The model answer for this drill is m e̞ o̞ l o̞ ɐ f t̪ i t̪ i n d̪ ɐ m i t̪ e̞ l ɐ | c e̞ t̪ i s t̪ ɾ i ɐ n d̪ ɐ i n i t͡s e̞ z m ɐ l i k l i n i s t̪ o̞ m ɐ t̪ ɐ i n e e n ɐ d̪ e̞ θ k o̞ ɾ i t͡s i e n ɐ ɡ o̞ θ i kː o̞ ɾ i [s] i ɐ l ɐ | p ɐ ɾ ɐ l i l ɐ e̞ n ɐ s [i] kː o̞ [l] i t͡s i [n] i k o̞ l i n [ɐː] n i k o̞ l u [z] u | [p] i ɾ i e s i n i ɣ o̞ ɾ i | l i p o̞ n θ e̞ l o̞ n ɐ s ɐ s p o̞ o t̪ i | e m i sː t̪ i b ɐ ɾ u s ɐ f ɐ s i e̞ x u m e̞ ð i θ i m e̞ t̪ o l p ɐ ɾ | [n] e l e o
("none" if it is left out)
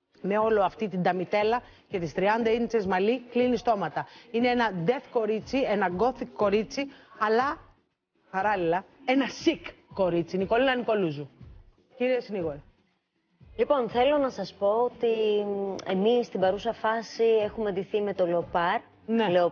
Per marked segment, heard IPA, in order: t͡s, i, ɾ, n, ɐ, z, c, n

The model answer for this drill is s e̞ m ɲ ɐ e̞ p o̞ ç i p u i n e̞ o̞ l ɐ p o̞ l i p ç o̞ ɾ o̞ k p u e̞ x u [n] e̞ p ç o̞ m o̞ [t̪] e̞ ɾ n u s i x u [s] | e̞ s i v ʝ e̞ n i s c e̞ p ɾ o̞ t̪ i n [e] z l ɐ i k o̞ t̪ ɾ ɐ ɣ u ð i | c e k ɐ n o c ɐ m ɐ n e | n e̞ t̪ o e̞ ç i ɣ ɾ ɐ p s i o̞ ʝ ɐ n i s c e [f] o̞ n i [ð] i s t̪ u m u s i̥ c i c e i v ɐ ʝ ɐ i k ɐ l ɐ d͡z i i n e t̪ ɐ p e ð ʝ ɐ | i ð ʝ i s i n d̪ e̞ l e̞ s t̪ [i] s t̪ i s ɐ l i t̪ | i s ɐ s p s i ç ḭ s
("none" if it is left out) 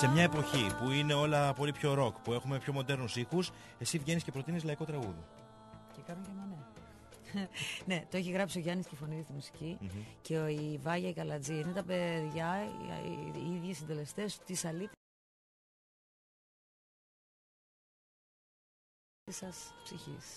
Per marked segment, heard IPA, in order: m, d̪, s, i, f, ð, e

